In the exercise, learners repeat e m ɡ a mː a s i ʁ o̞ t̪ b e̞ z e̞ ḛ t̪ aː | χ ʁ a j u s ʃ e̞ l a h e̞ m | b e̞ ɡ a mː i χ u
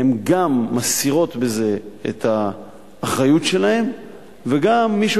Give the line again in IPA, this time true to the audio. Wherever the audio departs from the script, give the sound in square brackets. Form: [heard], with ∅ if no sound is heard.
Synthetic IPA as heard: e m ɡ a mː a s i ʁ o̞ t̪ b e̞ z e̞ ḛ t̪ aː | χ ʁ a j u [t] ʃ e̞ l a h e̞ m | [v] e̞ ɡ a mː i [ʃ] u